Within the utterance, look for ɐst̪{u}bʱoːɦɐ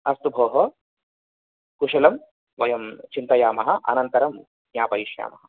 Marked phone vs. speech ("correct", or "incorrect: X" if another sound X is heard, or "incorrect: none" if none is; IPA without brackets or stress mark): correct